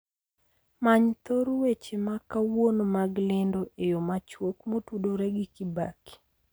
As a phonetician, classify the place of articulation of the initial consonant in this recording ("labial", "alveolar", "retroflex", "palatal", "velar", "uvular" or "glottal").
labial